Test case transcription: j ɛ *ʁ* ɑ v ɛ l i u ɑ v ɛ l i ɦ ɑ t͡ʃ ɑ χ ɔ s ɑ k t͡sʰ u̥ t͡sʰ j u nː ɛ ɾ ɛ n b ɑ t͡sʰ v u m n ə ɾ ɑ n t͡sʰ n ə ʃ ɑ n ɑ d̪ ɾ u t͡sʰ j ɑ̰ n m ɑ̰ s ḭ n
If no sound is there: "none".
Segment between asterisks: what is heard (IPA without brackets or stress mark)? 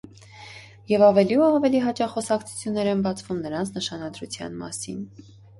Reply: v